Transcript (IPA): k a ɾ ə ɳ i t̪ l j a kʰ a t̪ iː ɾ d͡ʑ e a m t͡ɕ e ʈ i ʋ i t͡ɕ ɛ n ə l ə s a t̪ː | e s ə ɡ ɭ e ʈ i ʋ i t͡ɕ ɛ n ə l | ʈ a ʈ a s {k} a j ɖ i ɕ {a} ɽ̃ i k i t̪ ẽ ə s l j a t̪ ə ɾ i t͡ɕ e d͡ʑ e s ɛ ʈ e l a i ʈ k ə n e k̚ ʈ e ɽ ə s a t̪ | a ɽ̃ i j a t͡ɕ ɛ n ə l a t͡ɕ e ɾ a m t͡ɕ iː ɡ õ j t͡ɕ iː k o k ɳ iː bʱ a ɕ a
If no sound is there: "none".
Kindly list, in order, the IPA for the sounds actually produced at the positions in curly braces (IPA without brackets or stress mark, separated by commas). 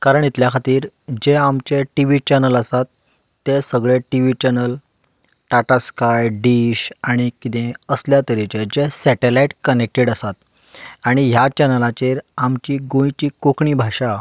k, a